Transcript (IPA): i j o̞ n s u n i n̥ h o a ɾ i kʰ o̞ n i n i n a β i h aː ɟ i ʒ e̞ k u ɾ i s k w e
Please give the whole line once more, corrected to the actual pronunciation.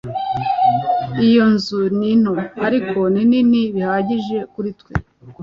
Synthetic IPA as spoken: i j o̞ n z u n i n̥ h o a ɾ i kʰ o̞ n i n i n i β i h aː ɟ i ʒ e̞ k u ɾ i t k w e